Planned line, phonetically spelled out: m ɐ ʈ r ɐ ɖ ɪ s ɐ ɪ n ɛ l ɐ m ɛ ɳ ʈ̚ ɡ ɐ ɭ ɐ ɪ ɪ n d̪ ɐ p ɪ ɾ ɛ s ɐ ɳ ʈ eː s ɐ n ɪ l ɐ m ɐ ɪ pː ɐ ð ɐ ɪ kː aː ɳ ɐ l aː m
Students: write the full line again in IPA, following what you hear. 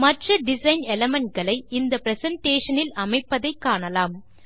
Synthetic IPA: m ɐ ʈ r ɐ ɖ ɪ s ɐ ɪ n ɛ l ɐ m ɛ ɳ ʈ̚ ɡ ɐ ɭ ɐ ɪ ɪ n d̪ ɐ p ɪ ɾ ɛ s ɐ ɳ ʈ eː ʂ ɐ n ɪ l ɐ m ɐ ɪ pː ɐ ð ɐ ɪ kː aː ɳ ɐ l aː m